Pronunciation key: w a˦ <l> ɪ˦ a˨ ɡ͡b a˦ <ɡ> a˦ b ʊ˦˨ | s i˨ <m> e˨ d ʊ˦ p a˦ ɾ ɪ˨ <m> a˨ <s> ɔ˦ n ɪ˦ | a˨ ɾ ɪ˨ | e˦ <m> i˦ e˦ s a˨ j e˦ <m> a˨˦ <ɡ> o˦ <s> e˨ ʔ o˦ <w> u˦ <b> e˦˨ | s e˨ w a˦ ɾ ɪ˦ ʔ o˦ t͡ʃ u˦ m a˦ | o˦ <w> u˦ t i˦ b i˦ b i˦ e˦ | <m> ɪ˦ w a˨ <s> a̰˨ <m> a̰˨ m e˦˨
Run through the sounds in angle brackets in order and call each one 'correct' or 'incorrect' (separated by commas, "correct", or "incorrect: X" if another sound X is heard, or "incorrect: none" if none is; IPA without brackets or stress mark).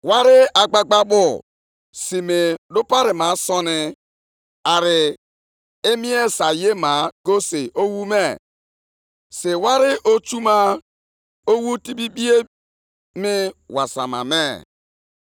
incorrect: ɾ, incorrect: ɡ͡b, correct, correct, correct, correct, correct, correct, correct, correct, incorrect: m, correct, correct, correct, correct